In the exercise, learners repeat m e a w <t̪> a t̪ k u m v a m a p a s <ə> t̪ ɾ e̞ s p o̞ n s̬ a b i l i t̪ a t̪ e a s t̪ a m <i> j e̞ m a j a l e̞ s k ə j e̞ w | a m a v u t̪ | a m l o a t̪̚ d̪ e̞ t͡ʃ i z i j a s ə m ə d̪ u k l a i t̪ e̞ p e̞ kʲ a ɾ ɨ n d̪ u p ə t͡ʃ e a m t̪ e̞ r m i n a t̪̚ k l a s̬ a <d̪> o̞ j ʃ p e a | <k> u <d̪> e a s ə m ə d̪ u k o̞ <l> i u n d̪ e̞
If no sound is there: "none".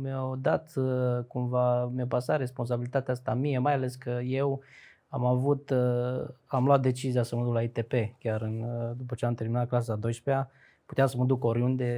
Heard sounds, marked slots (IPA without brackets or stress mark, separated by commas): d̪, a, i, d̪, p, t̪, ɾ